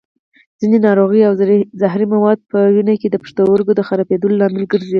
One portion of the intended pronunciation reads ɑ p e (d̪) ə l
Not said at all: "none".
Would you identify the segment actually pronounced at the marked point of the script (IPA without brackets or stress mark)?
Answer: d̪